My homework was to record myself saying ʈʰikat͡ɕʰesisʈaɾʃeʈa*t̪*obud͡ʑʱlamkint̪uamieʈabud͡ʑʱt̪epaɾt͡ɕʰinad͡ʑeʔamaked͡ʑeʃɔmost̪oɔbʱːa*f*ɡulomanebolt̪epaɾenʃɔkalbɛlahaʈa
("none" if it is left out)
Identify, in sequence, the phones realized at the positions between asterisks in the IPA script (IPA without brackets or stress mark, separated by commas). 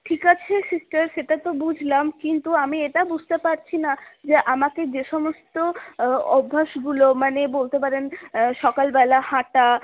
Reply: t̪, ʃ